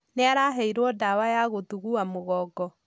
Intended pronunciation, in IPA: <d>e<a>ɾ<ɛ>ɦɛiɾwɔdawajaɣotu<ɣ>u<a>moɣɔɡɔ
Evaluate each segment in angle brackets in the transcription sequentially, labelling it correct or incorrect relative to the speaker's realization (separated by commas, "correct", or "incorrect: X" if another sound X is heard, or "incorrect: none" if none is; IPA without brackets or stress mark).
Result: incorrect: n, correct, incorrect: a, correct, correct